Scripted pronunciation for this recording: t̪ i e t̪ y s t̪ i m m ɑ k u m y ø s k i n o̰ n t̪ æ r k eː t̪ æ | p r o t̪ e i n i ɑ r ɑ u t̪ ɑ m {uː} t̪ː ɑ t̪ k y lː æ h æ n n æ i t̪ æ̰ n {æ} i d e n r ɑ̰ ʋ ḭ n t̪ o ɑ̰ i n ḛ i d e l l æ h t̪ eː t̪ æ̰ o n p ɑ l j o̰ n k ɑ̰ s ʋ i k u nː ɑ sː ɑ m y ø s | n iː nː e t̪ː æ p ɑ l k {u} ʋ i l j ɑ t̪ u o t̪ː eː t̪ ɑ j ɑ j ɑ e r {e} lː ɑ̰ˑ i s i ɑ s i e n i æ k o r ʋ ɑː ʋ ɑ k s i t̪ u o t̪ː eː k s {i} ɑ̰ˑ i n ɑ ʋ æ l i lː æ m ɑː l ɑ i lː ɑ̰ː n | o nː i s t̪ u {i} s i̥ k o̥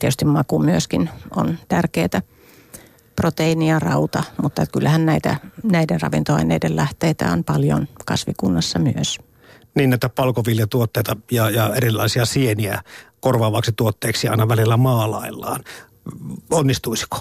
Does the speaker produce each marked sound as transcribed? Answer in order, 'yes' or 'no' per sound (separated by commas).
no, yes, no, no, yes, yes